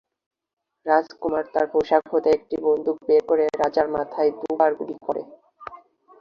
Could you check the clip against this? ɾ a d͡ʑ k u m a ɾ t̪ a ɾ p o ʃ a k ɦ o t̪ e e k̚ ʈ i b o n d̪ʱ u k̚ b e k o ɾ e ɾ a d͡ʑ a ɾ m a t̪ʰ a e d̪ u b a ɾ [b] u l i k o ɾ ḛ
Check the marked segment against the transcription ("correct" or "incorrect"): incorrect